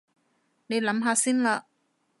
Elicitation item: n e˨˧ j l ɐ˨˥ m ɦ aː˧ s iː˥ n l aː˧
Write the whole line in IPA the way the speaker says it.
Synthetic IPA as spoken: n e˨˧ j l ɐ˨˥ m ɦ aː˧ s iː˥ n l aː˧